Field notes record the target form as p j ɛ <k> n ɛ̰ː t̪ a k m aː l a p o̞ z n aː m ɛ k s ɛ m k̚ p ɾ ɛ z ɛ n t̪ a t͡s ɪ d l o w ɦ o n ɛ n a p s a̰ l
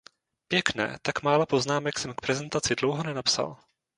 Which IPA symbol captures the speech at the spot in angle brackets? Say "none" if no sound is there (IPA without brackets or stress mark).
k